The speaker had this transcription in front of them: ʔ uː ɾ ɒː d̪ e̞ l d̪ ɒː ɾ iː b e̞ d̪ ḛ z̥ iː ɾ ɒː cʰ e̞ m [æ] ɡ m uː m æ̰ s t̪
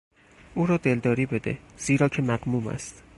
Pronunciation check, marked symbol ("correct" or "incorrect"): correct